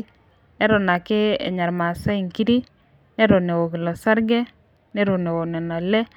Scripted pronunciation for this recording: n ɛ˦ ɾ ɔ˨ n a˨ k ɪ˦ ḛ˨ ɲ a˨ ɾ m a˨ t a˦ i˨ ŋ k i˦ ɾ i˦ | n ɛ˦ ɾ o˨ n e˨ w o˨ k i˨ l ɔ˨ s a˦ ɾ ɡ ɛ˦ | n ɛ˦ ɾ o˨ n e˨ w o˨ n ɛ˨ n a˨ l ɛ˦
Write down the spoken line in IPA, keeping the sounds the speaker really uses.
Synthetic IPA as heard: n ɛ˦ ɾ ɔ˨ n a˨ k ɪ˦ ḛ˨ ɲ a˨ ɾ m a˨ s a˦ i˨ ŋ k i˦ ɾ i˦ | n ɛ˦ ɾ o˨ n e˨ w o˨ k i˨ l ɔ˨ s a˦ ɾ ɡ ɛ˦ | n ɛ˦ ɾ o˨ n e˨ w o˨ n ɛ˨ n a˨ l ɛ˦